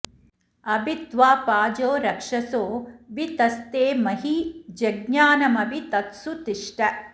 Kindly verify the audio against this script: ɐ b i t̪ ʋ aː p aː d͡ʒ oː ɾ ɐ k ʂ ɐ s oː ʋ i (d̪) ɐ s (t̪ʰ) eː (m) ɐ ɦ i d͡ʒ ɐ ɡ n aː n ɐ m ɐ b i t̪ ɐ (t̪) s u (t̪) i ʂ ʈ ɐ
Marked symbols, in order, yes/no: no, no, yes, yes, yes

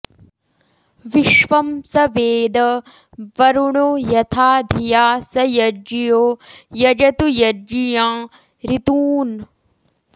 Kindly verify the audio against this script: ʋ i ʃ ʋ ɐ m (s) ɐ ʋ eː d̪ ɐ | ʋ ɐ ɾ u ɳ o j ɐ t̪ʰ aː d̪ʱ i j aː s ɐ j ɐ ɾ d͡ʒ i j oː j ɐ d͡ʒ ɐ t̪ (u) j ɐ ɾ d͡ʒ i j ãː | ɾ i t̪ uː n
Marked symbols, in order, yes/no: yes, yes

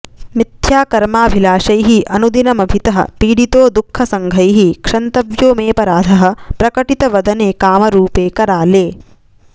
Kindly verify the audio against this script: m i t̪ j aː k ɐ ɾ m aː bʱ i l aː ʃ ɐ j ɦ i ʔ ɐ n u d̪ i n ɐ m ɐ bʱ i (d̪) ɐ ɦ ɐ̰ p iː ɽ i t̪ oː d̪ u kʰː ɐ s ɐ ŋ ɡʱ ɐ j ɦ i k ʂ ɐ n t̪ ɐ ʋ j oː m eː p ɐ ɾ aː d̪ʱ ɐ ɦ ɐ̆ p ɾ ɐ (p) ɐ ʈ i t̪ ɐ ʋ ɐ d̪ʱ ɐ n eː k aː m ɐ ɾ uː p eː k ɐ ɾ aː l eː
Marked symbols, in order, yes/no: no, no

